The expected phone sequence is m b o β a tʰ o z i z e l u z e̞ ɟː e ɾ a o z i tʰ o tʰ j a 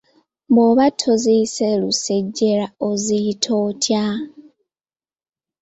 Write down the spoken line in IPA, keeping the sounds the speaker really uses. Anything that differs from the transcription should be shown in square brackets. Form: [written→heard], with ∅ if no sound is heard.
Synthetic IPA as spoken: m b o β a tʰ o z i [z→s] e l u [z→s] e̞ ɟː e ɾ a o z i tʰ o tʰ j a